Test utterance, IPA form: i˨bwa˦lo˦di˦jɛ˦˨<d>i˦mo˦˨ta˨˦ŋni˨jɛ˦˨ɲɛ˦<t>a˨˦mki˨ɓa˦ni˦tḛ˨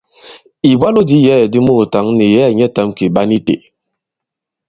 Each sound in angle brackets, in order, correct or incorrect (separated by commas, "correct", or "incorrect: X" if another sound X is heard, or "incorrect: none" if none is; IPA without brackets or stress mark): correct, correct